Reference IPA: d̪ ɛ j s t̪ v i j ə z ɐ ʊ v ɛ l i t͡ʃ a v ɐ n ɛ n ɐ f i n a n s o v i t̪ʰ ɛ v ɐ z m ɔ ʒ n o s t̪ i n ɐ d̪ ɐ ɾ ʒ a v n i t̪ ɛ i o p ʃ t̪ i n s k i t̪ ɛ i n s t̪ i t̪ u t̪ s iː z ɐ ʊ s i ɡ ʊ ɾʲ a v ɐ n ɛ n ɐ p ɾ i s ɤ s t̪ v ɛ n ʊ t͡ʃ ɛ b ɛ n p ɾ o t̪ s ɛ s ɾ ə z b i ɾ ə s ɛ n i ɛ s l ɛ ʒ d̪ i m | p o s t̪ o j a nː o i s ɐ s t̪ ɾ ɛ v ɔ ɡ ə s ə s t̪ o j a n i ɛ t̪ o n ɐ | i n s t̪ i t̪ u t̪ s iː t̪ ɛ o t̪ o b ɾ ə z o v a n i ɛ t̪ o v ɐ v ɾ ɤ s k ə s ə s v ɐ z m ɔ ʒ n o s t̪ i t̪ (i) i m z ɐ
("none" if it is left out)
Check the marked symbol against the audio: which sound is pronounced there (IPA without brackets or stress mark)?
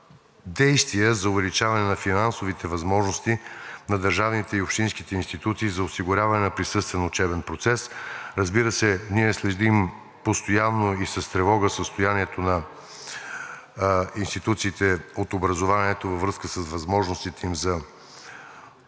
ɛ